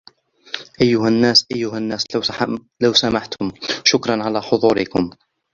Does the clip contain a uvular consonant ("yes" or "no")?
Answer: no